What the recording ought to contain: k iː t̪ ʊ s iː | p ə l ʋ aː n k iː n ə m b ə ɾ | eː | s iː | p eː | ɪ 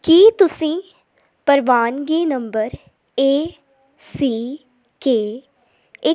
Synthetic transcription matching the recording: k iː t̪ ʊ s ĩː | p ə ɾ ʋ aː n ɡ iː n ə m b ə ɾ | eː | s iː | k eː | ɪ